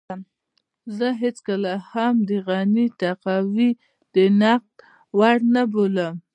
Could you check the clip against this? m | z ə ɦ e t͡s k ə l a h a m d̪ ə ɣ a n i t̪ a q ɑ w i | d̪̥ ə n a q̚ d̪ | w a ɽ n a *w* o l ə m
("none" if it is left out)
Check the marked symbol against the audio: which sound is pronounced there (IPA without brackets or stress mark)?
b